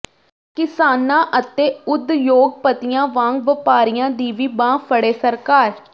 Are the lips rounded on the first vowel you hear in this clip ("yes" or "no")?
no